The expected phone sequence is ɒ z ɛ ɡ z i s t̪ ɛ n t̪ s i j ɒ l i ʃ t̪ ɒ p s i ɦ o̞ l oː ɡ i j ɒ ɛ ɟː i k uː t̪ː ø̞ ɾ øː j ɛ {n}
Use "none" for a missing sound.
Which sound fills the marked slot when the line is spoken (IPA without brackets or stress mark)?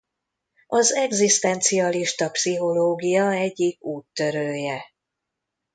none